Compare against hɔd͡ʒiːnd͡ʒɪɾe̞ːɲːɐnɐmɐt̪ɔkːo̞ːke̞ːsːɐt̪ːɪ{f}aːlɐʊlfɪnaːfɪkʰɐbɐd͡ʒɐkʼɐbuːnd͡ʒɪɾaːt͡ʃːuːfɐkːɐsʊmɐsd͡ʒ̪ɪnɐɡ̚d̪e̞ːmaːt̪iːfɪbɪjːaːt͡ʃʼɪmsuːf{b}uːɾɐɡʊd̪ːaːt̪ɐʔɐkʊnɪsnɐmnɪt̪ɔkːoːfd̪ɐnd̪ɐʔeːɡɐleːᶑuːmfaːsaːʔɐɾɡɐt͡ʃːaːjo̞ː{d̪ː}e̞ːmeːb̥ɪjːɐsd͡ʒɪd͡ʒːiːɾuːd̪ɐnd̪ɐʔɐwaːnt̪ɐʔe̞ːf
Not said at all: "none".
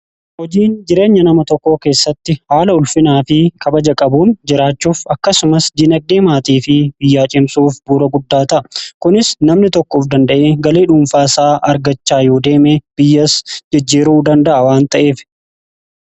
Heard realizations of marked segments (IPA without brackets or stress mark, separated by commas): h, b, d̪